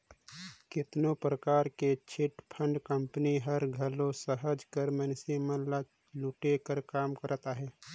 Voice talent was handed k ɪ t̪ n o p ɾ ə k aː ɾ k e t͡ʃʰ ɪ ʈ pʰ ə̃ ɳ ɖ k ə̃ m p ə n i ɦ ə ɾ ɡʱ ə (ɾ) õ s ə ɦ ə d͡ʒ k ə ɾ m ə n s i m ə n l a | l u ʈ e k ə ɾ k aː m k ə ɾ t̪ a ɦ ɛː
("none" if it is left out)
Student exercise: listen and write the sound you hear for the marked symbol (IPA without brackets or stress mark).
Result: l